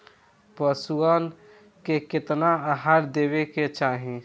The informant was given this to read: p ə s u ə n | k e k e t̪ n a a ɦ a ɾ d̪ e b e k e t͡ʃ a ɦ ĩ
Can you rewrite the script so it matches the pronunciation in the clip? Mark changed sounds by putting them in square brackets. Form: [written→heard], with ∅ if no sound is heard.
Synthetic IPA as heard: p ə s u ə n | k e k e t̪ n a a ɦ a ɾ d̪ e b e k e t͡ʃ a ɦ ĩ

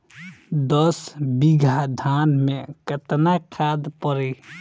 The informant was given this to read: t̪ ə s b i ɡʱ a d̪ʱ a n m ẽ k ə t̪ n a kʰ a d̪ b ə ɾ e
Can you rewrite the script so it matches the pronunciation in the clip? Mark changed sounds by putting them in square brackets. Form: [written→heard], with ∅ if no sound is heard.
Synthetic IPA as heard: [t̪→d̪] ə s b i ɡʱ a d̪ʱ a n m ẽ k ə t̪ n a kʰ a d̪ [b→p] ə ɾ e

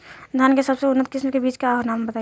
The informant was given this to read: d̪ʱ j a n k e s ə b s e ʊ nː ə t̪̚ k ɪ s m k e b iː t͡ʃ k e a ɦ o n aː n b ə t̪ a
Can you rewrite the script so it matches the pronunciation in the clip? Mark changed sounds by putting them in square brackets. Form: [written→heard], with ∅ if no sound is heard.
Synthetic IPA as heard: d̪ʱ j a n k e s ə b s e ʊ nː ə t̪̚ k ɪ s m k e b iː t͡ʃ k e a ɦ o n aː [n→m] b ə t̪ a

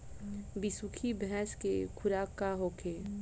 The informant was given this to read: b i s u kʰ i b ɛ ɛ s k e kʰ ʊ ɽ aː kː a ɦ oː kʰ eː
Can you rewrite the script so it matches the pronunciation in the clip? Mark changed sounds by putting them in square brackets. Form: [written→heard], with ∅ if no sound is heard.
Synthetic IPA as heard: b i s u kʰ i b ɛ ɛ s k e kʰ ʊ [ɽ→ɾ] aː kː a ɦ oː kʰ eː

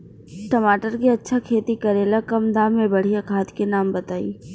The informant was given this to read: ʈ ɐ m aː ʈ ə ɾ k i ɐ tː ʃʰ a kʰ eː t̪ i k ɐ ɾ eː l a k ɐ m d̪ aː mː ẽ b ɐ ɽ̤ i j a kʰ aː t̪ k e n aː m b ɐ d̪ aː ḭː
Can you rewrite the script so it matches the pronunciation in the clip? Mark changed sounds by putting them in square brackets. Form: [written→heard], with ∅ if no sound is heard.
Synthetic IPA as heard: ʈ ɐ m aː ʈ ə ɾ k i ɐ tː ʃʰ a kʰ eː t̪ i k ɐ ɾ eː l a k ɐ m d̪ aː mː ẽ b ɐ ɽ̤ i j a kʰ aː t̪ k e n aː m b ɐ [d̪→t̪] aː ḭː

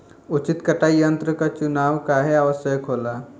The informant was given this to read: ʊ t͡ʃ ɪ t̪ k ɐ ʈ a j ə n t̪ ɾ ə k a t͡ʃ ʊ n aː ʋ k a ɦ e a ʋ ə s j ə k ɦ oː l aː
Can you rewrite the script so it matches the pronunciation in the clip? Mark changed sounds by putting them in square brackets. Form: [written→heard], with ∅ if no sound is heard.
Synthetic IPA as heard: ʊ t͡ʃ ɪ t̪ k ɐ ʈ a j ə n t̪ ɾ ə k a t͡ʃ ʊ n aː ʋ k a ɦ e a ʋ ə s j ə k ɦ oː l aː

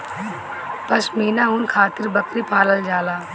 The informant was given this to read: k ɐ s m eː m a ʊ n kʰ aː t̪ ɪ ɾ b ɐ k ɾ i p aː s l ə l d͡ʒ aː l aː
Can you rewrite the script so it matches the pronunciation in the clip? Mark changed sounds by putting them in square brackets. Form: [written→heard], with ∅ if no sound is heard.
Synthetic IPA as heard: [k→p] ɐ s m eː [m→n] a ʊ n kʰ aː t̪ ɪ ɾ b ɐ k ɾ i p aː [s→∅] l ə l d͡ʒ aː l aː

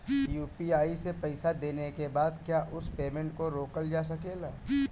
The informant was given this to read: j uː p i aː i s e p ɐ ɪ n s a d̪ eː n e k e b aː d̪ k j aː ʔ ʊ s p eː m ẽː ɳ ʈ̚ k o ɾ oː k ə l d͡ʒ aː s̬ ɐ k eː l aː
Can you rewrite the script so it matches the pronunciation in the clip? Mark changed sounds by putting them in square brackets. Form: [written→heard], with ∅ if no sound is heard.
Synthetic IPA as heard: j uː p i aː i s e p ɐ ɪ [n→∅] s a d̪ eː n e k e b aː d̪ k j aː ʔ ʊ s p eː m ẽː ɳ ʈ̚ k o ɾ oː k ə l d͡ʒ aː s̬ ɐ k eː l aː

